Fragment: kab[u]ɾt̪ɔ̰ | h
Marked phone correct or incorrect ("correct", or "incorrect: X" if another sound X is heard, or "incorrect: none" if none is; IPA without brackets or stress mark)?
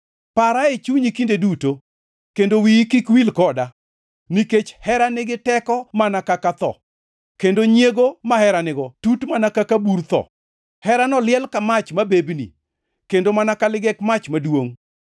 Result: correct